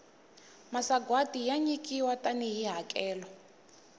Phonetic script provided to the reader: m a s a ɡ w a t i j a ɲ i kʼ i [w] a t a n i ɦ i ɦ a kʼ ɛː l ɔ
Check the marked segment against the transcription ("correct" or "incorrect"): correct